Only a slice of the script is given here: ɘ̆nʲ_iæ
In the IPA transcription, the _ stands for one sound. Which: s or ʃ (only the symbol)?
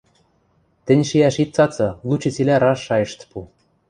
ʃ